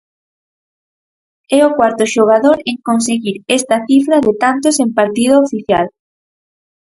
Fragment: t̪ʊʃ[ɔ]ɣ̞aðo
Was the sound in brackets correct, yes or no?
no